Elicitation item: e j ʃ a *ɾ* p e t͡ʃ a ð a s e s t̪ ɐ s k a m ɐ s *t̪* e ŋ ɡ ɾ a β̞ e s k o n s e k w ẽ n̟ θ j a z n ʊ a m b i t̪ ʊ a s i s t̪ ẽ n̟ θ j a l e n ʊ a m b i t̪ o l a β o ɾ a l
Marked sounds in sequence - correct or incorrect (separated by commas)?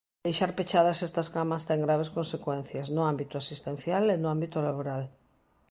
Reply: correct, correct